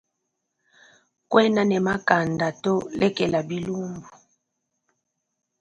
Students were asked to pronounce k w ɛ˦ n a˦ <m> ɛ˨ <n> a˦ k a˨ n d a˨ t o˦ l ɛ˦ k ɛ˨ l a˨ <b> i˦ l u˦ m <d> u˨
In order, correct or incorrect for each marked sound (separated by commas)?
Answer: incorrect, incorrect, correct, incorrect